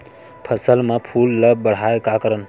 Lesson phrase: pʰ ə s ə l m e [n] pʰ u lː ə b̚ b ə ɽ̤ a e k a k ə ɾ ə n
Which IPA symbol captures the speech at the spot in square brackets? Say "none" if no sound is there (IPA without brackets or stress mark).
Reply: none